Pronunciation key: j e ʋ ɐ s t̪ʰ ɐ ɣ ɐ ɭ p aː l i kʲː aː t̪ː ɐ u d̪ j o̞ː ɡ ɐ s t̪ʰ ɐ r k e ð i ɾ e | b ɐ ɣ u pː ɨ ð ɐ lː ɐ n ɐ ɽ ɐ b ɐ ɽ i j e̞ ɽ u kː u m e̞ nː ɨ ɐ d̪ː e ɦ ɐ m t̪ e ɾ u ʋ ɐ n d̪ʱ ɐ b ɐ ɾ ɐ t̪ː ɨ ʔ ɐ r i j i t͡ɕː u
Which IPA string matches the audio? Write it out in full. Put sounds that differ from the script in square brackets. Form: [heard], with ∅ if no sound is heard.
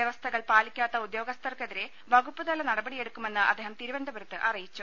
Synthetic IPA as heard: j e ʋ ɐ s t̪ʰ ɐ ɣ ɐ ɭ p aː l i kʲː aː t̪ː ɐ u d̪ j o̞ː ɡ ɐ s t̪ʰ ɐ r k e ð i ɾ e | b ɐ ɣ u pː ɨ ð ɐ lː ɐ n ɐ ɽ ɐ b ɐ ɽ i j e̞ ɽ u kː u m e̞ nː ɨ ɐ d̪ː e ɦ ɐ m t̪ [i] ɾ u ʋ ɐ n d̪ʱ ɐ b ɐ ɾ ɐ t̪ː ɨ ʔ ɐ r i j i t͡ɕː u